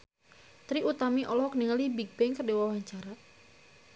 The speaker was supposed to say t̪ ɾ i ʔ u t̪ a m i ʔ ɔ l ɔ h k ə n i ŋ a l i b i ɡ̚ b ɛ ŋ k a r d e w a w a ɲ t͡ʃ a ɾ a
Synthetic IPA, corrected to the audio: t̪ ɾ i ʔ u t̪ a m i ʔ ɔ l ɔ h k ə n i ŋ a l i b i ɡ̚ b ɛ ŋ k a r d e w a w a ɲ t͡ʃ a ɾ a